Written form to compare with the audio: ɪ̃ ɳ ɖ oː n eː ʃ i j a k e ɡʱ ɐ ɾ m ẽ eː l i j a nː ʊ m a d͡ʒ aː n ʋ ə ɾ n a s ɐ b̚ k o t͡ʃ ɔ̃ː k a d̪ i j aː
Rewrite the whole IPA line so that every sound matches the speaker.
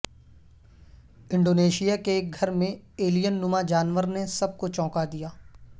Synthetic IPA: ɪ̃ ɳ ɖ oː n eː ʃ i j a k e ɡʱ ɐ ɾ m ẽ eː l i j ə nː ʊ m a d͡ʒ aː n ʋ ə ɾ n e s ɐ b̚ k o t͡ʃ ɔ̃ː k a d̪ i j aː